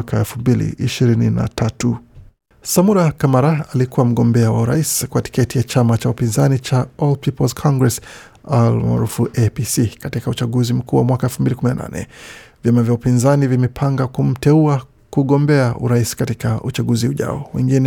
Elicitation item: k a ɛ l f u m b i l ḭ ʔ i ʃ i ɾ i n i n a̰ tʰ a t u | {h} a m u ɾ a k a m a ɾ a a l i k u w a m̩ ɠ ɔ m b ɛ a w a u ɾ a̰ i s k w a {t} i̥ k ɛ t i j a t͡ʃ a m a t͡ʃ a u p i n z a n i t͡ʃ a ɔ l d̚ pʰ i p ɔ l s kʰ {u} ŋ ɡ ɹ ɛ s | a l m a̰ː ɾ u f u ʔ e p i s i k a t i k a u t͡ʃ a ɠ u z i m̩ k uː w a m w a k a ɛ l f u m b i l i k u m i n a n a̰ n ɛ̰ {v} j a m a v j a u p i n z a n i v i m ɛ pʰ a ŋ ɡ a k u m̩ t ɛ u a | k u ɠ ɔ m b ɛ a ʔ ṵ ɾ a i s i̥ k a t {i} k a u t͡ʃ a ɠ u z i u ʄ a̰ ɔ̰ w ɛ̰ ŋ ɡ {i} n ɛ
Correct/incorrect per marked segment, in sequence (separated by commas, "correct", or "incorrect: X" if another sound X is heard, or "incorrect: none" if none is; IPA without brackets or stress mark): incorrect: s, correct, incorrect: ɔ, correct, correct, correct